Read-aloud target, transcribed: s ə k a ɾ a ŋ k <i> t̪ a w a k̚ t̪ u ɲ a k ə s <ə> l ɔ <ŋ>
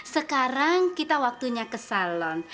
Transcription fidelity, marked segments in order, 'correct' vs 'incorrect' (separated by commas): correct, incorrect, incorrect